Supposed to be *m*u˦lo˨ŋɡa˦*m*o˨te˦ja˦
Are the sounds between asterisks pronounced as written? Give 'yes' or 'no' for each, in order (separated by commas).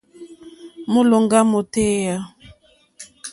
yes, yes